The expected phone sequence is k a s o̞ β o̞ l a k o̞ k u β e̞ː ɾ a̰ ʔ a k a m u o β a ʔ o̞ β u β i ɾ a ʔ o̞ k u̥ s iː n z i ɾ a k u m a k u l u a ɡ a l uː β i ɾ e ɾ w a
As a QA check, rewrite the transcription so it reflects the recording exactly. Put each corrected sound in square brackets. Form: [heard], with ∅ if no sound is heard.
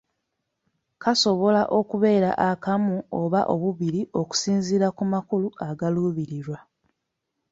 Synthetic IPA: k a s o̞ β o̞ l a [ʔ] o̞ k u β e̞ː ɾ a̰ ʔ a k a m u o β a ʔ o̞ β u β i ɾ [i] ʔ o̞ k u̥ s iː n z i ɾ a k u m a k u l u a ɡ a l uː β i ɾ [i] ɾ w a